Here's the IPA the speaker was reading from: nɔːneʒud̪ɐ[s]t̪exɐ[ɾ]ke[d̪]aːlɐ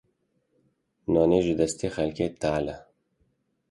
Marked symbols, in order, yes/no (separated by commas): yes, no, no